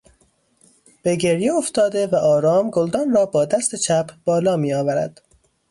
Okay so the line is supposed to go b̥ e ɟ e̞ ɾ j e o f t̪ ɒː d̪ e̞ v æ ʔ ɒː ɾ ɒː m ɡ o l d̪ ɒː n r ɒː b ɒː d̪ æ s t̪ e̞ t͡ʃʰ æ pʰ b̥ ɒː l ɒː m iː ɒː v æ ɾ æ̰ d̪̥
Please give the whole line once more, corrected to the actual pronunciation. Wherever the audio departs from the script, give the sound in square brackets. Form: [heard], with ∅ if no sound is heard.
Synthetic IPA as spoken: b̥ e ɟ e̞ ɾ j e o f t̪ ɒː d̪ e̞ v æ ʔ ɒː ɾ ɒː m ɡ o l d̪ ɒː n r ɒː b ɒː d̪ æ s t̪ e̞ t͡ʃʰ æ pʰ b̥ ɒː l ɒː m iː ɒː v æ ɾ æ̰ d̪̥